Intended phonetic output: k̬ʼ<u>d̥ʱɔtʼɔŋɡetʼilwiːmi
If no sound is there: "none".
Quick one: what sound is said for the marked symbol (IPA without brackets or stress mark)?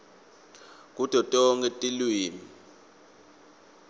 u